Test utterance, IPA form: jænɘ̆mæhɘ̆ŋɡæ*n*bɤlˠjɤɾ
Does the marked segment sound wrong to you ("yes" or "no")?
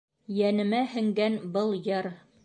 no